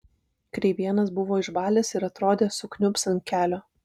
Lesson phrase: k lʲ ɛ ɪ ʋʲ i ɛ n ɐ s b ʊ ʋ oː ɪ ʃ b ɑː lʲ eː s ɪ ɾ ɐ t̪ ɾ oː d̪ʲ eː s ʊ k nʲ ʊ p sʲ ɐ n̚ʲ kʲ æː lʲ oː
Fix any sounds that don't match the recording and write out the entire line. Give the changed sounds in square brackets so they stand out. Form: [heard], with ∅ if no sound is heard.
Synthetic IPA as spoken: k [ɾʲ] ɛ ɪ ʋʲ i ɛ n ɐ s b ʊ ʋ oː ɪ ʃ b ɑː lʲ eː s ɪ ɾ ɐ t̪ ɾ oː d̪ʲ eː s ʊ k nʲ ʊ p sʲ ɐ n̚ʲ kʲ æː lʲ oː